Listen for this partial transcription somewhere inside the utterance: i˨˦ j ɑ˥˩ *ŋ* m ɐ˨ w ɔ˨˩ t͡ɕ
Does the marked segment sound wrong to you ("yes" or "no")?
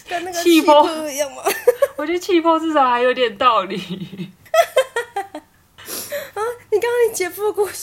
no